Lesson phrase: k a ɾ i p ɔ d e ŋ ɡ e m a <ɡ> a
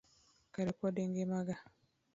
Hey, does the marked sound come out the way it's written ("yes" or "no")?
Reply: yes